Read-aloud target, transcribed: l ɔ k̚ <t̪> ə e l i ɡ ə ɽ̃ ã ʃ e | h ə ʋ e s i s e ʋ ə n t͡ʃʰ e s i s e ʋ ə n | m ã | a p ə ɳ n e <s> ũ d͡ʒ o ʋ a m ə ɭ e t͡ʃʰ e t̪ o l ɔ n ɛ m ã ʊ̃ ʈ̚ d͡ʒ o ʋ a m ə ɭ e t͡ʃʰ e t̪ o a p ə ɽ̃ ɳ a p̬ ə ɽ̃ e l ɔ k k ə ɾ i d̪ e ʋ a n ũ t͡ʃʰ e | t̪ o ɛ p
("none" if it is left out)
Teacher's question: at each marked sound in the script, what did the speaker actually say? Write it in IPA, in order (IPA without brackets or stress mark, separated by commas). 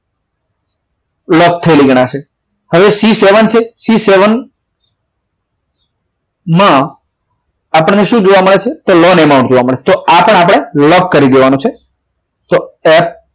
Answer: t̪ʰ, ʃ